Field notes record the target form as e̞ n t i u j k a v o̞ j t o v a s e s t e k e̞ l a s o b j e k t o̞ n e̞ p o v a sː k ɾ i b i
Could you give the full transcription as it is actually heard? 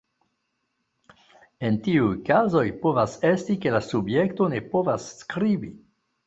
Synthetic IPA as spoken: e̞ n t i u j k a z o̞ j p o v a s e s t i k e̞ l a s u b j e k t o̞ n e̞ p o v a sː k ɾ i b i